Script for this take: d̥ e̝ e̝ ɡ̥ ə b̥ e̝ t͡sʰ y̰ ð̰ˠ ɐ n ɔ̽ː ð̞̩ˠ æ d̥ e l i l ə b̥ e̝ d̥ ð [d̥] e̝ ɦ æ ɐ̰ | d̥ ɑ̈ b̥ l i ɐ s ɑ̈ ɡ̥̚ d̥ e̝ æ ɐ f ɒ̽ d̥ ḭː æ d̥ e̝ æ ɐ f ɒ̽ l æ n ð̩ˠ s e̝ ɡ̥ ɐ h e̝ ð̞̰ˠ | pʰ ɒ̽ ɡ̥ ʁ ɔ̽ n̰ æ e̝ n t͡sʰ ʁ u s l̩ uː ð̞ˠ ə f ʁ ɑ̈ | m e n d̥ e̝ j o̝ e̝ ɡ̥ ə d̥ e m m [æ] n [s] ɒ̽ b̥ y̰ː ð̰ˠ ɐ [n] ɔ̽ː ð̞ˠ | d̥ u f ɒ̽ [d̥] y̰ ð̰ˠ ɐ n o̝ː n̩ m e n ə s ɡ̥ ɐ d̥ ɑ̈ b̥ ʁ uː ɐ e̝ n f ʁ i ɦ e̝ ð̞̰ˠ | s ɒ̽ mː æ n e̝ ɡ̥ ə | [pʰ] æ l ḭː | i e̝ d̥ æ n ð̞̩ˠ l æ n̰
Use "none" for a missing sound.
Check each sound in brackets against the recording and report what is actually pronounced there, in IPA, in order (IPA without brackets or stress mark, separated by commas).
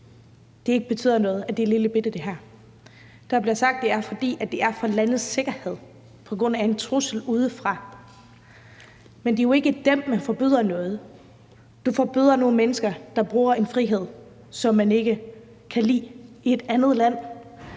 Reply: d̥, æ, f, n, b̥, kʰ